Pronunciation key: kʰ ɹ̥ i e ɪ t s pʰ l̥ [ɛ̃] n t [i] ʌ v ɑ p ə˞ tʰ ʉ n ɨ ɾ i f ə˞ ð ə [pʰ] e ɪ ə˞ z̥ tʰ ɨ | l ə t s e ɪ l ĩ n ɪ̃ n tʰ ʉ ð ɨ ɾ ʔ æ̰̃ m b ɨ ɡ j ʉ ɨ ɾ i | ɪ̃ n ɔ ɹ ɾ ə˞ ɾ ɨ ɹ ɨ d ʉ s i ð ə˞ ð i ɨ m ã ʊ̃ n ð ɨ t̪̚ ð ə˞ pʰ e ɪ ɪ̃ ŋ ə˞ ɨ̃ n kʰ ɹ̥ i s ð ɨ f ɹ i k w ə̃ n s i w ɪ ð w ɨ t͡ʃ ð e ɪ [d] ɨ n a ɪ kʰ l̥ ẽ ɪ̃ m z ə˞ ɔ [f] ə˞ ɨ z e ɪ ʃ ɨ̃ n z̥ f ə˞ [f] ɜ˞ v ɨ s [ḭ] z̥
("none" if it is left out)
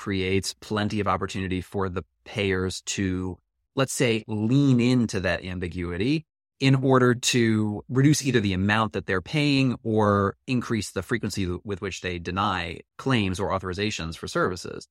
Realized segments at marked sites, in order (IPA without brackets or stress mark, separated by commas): ɛ̃, i, pʰ, d, θ, s, ɪ̰